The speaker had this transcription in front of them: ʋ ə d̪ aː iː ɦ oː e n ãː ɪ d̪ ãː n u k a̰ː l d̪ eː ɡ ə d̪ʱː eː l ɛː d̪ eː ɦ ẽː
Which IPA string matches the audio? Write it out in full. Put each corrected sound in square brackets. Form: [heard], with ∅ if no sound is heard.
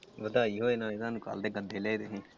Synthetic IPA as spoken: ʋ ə d̪ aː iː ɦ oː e n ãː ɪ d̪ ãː n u k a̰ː l d̪ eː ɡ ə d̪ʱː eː l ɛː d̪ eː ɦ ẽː